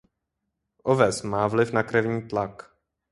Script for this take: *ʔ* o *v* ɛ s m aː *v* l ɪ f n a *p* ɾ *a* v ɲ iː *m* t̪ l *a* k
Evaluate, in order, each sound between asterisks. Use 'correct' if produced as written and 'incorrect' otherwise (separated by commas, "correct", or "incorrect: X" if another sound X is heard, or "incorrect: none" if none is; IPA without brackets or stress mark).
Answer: correct, correct, correct, incorrect: k, incorrect: ɛ, incorrect: none, correct